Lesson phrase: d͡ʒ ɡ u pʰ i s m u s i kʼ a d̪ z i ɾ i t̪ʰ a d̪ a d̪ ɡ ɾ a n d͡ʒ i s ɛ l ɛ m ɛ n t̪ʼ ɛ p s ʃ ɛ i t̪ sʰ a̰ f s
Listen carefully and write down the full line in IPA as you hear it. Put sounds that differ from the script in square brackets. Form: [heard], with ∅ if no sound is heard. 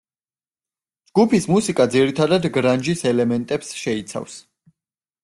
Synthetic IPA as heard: d͡ʒ ɡ u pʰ i s m u s i kʼ a d̪ z i ɾ i t̪ʰ a d̪ a d̪ ɡ ɾ a n d͡ʒ i s ɛ l ɛ m ɛ n t̪ʼ ɛ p s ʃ ɛ i t̪ sʰ a̰ f s